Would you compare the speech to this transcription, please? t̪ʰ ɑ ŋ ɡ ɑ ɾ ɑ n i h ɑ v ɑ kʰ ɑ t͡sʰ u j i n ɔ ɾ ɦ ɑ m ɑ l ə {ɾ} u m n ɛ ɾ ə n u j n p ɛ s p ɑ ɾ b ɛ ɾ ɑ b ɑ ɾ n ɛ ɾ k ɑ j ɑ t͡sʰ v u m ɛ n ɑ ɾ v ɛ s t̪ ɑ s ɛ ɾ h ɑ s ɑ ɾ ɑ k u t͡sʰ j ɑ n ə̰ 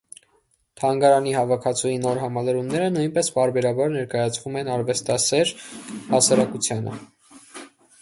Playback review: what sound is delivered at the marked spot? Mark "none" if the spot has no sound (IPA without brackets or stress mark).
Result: ɾ